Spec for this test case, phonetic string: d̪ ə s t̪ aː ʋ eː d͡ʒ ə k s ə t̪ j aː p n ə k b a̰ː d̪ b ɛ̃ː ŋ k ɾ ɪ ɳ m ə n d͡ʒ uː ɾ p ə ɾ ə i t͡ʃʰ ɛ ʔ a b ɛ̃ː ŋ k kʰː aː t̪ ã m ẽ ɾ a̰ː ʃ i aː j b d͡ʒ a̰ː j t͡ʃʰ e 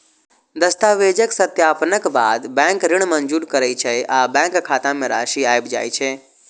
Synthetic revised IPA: d̪ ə s t̪ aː ʋ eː d͡ʒ ə k s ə t̪ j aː p n ə k b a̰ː d̪ b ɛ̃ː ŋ k ɾ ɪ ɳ m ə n d͡ʒ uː ɾ k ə ɾ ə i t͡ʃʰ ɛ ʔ a b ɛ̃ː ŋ k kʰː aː t̪ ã m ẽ ɾ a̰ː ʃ i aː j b d͡ʒ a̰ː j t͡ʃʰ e